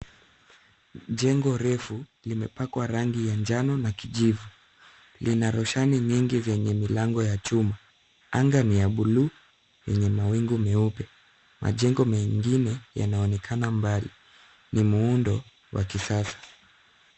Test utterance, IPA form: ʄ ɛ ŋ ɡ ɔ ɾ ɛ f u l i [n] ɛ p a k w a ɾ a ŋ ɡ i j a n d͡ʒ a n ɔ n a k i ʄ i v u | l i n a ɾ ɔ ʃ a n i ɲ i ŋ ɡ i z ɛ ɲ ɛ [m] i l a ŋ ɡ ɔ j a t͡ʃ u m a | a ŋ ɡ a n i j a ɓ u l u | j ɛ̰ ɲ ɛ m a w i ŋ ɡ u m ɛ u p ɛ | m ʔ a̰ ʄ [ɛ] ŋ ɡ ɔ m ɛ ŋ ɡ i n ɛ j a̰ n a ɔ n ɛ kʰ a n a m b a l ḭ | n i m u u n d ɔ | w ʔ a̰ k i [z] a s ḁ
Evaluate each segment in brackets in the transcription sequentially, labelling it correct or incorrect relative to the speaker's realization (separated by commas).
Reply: incorrect, correct, correct, incorrect